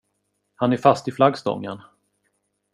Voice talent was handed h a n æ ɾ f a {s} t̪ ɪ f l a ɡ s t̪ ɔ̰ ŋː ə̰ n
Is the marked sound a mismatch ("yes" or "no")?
no